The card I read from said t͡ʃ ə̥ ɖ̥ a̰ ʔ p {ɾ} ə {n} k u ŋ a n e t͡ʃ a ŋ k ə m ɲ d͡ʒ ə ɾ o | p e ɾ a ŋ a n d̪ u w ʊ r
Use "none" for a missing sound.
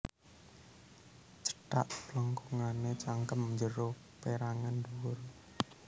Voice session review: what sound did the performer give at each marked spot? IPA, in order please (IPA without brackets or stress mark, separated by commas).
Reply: l, ŋ